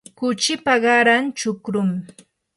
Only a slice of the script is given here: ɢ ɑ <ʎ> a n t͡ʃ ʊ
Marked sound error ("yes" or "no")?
yes